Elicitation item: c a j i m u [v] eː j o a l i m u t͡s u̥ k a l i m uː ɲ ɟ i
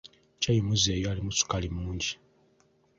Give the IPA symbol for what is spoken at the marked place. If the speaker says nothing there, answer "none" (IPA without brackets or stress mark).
z